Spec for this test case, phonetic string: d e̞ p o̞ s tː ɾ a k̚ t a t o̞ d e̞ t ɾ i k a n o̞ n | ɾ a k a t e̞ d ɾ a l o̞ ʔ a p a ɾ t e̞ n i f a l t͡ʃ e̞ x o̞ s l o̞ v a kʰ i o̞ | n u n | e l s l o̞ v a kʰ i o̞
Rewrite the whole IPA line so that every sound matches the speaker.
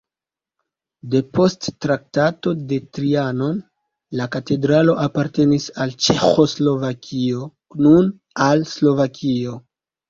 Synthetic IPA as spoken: d e̞ p o̞ s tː ɾ a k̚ t a t o̞ d e̞ t ɾ i a n o̞ n | l a k a t e̞ d ɾ a l o̞ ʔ a p a ɾ t e̞ n i s a l t͡ʃ e̞ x o̞ s l o̞ v a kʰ i o̞ | n u n | a l s l o̞ v a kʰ i o̞